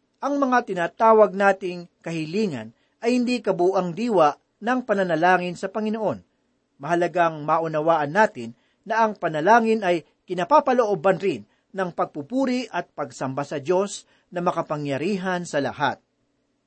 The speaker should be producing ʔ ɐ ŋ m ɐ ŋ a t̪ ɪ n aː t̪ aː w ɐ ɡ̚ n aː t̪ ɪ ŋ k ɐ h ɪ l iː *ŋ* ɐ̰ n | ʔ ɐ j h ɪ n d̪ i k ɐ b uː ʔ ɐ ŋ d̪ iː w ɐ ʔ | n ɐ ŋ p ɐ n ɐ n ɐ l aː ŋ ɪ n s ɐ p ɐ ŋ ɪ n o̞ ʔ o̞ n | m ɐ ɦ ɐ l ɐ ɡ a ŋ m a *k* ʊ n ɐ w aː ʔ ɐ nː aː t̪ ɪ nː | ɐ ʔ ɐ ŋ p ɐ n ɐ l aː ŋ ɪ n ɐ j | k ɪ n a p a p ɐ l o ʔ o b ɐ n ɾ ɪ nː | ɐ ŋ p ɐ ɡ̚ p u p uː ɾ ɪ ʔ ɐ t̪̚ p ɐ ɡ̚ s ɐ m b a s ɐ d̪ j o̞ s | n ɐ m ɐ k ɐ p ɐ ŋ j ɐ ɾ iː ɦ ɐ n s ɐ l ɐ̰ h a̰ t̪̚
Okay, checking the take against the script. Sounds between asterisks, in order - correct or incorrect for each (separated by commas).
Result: correct, incorrect